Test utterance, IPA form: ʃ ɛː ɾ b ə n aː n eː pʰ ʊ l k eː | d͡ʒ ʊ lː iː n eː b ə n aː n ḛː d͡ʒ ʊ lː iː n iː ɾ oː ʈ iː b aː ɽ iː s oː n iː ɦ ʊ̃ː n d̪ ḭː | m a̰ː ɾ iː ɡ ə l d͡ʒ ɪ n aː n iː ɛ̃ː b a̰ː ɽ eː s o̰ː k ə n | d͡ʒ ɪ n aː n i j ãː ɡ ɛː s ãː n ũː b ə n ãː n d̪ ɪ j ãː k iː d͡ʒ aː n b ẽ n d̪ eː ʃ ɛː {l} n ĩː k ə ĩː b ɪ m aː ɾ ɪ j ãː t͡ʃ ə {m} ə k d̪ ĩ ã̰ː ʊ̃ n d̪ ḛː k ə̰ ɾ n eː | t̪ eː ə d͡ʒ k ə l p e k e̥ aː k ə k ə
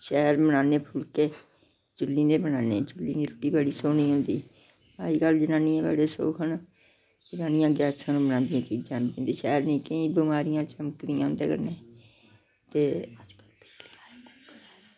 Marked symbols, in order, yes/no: no, yes

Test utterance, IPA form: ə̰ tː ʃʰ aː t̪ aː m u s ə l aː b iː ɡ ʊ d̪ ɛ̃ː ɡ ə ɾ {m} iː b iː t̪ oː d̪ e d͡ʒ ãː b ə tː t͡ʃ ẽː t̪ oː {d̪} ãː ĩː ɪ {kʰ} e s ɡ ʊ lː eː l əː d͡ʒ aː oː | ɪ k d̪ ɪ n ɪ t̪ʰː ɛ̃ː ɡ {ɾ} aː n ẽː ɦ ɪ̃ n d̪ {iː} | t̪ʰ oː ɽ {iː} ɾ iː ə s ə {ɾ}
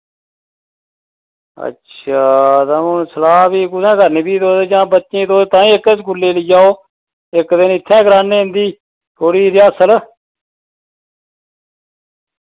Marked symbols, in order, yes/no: no, no, no, yes, yes, yes, no

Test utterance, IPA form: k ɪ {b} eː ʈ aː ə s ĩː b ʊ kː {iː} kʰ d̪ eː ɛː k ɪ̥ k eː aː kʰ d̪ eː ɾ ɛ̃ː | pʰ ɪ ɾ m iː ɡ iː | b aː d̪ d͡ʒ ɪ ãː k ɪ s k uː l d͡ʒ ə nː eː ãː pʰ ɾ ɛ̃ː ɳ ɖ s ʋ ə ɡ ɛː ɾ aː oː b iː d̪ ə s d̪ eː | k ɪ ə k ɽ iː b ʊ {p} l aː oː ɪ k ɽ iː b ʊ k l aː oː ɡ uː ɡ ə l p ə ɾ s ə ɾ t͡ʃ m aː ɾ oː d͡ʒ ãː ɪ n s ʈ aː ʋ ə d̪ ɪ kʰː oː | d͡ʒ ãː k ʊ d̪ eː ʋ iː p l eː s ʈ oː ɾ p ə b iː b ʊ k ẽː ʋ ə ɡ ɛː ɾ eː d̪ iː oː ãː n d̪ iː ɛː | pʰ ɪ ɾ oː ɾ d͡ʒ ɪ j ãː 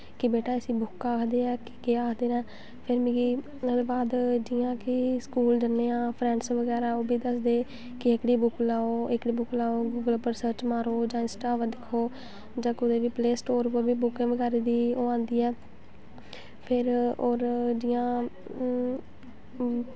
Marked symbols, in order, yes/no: yes, no, no

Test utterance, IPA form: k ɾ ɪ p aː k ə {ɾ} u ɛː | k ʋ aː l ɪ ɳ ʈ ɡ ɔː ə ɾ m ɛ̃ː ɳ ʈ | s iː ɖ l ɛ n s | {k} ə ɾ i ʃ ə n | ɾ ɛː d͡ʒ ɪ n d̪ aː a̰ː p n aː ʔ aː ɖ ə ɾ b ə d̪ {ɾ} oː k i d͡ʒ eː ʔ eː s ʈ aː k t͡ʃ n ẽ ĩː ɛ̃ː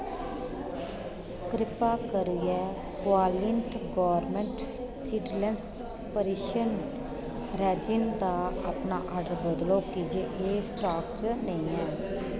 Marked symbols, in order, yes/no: yes, no, no

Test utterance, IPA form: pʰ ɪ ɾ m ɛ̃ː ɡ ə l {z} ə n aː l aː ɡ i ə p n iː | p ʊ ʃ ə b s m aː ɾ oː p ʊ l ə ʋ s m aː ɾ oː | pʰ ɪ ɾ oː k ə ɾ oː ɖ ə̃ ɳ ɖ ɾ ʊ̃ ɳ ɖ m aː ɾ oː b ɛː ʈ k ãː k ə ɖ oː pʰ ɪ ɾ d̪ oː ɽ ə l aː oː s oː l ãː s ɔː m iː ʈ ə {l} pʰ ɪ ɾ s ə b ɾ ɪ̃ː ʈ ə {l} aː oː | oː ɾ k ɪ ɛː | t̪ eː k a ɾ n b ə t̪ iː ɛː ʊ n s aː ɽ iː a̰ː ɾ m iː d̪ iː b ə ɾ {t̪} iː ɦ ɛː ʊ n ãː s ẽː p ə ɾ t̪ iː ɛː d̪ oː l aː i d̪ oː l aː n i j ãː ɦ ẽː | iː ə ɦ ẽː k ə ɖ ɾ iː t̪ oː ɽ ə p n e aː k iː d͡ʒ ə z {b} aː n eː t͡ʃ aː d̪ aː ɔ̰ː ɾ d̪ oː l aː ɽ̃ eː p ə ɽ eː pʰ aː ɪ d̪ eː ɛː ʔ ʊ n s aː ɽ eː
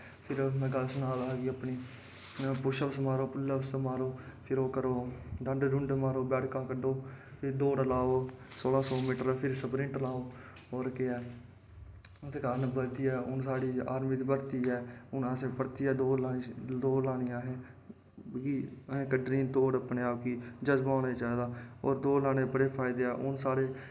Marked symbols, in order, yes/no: no, no, yes, yes, yes

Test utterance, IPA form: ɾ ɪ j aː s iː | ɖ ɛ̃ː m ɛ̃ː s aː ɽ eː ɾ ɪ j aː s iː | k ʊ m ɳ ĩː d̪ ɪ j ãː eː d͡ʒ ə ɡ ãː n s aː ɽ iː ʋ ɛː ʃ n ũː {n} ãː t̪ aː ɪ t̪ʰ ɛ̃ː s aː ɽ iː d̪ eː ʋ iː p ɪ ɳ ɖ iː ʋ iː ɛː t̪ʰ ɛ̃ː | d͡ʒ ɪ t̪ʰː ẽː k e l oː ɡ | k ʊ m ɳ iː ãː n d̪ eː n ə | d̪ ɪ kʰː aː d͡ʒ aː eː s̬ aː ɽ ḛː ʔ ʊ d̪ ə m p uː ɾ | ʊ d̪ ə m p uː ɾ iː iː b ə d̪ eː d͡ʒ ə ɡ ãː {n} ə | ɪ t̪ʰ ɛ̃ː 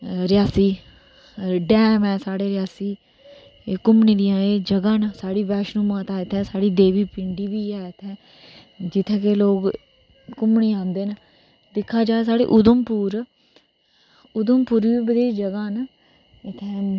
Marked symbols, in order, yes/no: no, yes

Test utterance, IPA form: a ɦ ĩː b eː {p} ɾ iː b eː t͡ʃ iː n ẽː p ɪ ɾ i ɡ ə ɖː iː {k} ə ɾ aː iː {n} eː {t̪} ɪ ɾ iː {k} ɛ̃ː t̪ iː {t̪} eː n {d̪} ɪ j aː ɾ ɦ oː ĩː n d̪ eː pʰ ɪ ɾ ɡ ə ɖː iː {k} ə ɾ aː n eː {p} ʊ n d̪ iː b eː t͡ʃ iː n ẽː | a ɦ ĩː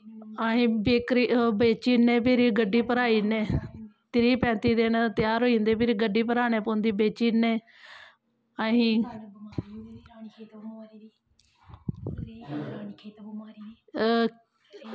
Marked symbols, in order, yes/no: no, no, yes, yes, no, no, no, no, yes

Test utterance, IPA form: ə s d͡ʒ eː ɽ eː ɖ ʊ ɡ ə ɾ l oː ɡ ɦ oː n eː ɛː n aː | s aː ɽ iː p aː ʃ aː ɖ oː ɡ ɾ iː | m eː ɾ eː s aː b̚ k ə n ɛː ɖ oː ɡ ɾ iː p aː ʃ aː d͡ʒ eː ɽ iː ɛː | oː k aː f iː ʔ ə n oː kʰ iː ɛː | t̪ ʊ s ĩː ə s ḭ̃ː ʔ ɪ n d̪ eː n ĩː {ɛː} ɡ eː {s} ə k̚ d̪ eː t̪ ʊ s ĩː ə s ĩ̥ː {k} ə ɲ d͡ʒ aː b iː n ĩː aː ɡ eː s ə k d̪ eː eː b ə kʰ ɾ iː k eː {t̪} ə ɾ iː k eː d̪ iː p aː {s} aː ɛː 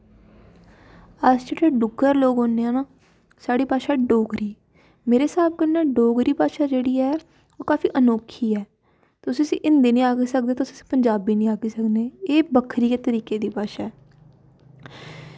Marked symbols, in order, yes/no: no, yes, no, yes, no

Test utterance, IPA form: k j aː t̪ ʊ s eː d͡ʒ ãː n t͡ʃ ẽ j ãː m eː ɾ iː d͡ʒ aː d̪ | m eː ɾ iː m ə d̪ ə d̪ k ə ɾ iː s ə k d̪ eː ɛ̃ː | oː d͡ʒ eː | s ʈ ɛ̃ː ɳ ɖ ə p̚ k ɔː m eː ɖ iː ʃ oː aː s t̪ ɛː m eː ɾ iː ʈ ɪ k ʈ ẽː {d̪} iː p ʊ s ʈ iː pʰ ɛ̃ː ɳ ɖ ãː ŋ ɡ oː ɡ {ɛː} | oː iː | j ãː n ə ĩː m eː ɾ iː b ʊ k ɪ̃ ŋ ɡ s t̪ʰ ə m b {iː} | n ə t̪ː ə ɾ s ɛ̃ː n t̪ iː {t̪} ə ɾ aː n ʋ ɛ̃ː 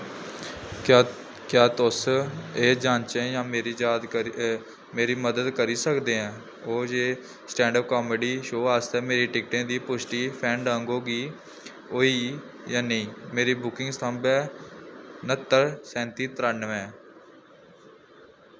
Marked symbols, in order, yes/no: yes, no, no, yes

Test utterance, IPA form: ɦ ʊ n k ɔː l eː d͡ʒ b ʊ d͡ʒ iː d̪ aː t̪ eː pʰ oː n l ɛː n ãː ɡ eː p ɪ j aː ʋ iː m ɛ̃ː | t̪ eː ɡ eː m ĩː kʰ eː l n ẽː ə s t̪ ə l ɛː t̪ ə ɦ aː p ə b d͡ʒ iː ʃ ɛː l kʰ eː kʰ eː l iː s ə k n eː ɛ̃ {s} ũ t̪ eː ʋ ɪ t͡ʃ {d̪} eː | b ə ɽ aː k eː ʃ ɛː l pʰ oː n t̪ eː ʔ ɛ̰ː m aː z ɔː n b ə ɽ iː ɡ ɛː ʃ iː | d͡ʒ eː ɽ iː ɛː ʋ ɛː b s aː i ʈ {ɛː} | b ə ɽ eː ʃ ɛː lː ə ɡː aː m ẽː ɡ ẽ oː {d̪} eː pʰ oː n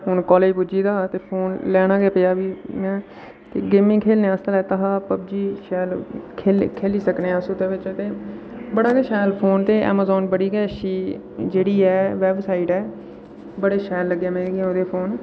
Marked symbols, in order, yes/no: yes, no, yes, yes

